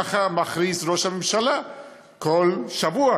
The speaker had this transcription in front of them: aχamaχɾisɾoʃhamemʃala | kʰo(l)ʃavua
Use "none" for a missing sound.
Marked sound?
l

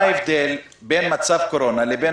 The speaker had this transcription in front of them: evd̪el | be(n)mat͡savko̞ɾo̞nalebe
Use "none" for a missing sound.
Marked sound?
n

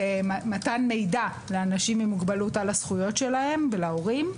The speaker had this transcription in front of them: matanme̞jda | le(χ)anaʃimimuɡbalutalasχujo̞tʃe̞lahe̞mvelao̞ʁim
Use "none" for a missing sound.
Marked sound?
none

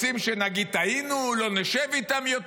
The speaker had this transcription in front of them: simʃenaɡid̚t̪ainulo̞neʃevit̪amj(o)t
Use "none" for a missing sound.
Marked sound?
o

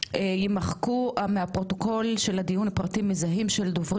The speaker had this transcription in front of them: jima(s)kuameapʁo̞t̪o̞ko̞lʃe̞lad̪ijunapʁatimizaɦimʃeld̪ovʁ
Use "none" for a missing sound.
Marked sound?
χ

